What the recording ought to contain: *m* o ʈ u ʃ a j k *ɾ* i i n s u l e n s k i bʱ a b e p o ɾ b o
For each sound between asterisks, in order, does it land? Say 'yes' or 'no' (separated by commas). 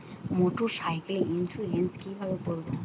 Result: yes, no